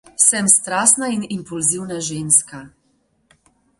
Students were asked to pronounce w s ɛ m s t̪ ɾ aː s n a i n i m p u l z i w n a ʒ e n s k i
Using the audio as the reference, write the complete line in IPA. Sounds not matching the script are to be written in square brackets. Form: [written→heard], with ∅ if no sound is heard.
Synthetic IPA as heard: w s ɛ m s t̪ ɾ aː s n a i n i m p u l z i w n a ʒ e n s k [i→a]